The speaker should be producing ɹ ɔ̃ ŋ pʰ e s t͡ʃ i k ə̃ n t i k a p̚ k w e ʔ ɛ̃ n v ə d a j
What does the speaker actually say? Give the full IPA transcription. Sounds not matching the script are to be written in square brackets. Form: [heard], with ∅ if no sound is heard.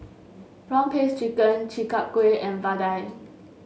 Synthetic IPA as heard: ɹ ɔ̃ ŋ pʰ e s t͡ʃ i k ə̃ n [t͡ʃ] i k a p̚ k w e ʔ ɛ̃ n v [a] d a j

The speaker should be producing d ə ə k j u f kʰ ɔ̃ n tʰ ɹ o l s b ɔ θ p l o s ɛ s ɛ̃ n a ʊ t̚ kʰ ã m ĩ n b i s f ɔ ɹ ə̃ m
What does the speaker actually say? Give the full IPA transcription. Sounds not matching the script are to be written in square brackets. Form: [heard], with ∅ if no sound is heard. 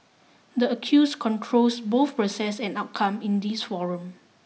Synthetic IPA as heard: d ə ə [kʰ] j u [s] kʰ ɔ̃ n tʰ ɹ o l s b [o] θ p [ɹ] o s ɛ s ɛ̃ n a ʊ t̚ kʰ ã m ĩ n [d] i s f ɔ ɹ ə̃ m

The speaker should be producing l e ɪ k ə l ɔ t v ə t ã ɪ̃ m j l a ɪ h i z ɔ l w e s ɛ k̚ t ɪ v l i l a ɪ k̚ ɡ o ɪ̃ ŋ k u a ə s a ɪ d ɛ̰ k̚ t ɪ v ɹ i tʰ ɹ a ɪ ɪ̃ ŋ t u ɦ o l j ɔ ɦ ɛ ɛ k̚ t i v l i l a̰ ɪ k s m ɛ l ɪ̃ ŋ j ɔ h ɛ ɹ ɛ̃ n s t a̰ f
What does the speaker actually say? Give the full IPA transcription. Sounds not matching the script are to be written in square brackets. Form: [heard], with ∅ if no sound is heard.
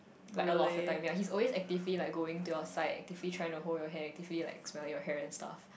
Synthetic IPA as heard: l [a] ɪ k ə l ɔ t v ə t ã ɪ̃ m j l a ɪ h i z ɔ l w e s ɛ k̚ t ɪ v l i l a ɪ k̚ ɡ o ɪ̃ ŋ [t] u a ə s a ɪ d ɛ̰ k̚ t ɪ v [l] i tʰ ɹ a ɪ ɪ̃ ŋ t u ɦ o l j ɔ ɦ ɛ ɛ k̚ t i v l i l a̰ ɪ k s m ɛ l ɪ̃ ŋ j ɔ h ɛ ɹ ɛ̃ n s t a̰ f

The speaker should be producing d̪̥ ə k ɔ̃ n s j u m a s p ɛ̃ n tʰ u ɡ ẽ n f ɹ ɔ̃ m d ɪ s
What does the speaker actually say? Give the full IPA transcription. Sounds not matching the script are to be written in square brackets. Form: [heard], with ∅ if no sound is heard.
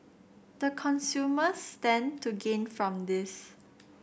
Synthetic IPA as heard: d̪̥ ə [kʰ] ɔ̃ n s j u m [ə] s [t] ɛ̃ n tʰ u ɡ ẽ n f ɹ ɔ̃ m d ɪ s

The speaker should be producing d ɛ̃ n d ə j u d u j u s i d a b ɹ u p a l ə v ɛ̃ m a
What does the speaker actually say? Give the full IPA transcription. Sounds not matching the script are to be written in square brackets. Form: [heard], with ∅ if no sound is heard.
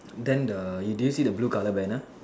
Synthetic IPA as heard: d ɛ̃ n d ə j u d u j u s i d [ə] b [l] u [k] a l ə [b] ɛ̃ [n] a

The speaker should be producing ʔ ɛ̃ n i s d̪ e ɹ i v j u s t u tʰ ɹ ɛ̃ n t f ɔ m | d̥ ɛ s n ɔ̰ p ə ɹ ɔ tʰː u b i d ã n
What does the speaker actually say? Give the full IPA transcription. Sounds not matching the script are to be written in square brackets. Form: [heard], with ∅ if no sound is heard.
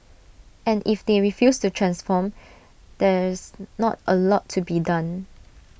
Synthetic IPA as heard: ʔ ɛ̃ n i [f] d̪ e ɹ i [f] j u s t u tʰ ɹ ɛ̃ n [s] f ɔ m | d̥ ɛ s n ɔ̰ [t] ə [l] ɔ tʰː u b i d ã n

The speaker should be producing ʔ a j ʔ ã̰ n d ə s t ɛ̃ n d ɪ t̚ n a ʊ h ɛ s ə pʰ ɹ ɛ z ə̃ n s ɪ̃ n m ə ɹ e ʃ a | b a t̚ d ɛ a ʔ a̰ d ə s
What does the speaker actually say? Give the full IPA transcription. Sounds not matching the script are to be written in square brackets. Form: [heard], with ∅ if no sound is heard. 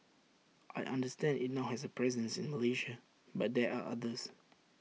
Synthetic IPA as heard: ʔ a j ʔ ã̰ n d ə s t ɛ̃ n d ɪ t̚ n a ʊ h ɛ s ə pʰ ɹ ɛ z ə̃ n s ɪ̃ n m ə [l] e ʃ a | b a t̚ d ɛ a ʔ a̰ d ə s

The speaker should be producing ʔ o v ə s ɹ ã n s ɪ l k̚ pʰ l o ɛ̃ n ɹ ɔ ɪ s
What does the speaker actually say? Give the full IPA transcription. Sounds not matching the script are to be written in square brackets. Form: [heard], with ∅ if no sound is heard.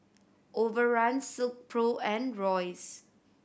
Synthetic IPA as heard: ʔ o v ə [∅] ɹ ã n s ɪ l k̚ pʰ [ɹ] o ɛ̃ n ɹ ɔ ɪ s

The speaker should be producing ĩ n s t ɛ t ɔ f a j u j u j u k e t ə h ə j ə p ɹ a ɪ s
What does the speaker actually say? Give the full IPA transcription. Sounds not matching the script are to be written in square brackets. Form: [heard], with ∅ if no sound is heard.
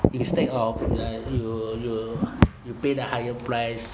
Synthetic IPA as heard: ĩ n s t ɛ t ɔ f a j u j u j u [p] e [d] ə h [a] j ə p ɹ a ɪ s

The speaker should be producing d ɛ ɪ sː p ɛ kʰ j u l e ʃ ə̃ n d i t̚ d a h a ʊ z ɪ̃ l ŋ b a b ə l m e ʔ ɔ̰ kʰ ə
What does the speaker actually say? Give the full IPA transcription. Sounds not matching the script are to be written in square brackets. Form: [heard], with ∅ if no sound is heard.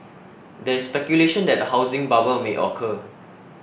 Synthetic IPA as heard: d ɛ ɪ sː p ɛ [k] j u l e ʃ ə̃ n d [ɛ] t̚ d [ə] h a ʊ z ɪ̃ [∅] ŋ b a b ə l m e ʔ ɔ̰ kʰ ə

